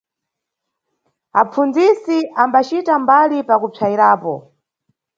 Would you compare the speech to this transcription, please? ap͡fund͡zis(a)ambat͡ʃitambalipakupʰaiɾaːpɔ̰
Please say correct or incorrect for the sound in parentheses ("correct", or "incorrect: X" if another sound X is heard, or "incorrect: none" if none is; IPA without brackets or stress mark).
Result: incorrect: i